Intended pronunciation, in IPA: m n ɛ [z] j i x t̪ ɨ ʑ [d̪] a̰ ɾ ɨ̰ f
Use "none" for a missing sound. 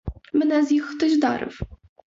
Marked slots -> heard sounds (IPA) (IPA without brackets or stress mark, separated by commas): z, d̪